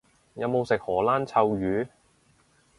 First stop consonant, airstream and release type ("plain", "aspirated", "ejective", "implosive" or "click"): plain